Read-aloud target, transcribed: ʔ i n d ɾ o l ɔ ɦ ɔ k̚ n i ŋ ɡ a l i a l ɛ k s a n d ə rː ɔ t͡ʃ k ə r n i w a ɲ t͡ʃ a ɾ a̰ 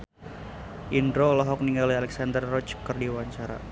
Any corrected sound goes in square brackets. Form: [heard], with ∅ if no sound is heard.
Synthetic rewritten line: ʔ i n d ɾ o l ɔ ɦ ɔ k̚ n i ŋ ɡ a l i a l ɛ k s a n d ə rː ɔ t͡ʃ k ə r [d] i w a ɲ t͡ʃ a ɾ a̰